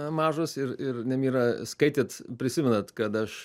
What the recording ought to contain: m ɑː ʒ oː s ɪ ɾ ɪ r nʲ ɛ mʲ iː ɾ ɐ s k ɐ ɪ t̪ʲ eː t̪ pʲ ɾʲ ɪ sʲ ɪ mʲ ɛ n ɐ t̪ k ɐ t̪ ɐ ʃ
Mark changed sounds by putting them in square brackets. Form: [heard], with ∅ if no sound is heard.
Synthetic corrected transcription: m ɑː ʒ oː s ɪ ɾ ɪ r nʲ ɛ mʲ iː ɾ ɐ s k ɐ ɪ t̪ʲ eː t̪ pʲ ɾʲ ɪ sʲ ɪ mʲ ɛ n ɐ t̪ k ɐ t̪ ɐ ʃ